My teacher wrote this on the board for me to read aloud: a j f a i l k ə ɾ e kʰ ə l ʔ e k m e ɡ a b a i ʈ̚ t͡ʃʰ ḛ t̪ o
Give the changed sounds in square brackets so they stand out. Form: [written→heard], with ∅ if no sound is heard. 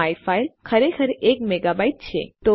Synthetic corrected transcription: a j f a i l [k→kʰ] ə ɾ e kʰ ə [l→ɾ] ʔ e k m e ɡ a b a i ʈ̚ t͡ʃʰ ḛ t̪ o

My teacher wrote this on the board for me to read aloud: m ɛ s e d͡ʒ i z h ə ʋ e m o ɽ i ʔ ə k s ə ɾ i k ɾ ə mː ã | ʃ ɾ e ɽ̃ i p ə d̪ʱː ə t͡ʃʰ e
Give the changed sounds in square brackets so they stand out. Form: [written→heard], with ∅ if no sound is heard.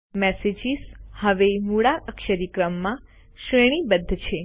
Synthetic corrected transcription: m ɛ s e d͡ʒ i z h ə ʋ e m [o→u] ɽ [i→a] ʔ ə k [s→ʃ] ə ɾ i k ɾ ə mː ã | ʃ ɾ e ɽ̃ i [p→b] ə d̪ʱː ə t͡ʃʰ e

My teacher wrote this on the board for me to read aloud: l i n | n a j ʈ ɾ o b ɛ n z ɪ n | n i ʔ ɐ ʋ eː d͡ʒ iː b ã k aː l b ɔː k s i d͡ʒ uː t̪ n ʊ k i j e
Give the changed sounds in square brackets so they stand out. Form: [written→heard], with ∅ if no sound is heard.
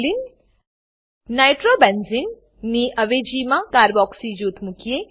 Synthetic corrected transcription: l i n | n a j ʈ ɾ o b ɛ n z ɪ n | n i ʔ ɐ ʋ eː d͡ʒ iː [b→m] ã k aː [l→ɾ] b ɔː k s i d͡ʒ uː t̪ [n→m] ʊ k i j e

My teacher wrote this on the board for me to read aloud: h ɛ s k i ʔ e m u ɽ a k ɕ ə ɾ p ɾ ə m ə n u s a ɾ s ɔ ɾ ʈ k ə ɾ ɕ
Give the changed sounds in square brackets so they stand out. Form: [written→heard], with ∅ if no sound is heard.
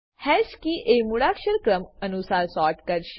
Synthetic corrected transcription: h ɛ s k i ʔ e m u ɽ a k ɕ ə ɾ [p→k] ɾ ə m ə n u s a ɾ s ɔ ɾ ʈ k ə ɾ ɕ

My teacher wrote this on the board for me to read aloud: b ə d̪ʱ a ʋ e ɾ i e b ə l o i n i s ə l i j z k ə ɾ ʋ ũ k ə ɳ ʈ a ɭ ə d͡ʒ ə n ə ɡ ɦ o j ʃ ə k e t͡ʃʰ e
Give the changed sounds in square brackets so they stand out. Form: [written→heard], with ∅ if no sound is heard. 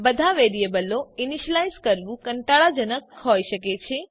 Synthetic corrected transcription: b ə d̪ʱ a ʋ e ɾ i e b ə l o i n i [s→ʃ] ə l [i→a] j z k ə ɾ ʋ ũ k ə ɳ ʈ a ɭ [ə→a] d͡ʒ ə n ə [ɡ→k] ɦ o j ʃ ə k e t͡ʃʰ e

